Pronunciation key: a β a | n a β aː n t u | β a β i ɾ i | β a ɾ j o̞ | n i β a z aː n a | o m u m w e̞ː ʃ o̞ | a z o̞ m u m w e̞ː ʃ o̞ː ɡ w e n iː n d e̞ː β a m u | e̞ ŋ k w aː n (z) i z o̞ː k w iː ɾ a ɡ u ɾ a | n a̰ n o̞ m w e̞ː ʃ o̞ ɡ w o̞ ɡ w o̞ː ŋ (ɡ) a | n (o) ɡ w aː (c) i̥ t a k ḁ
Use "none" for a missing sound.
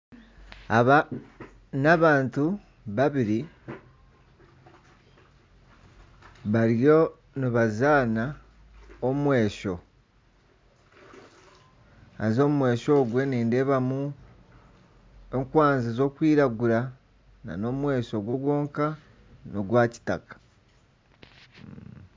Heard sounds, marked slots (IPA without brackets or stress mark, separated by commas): z, k, o, c